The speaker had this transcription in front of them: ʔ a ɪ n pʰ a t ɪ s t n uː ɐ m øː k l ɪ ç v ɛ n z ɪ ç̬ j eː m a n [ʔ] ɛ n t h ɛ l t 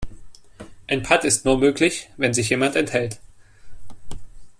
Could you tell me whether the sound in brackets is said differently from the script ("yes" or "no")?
yes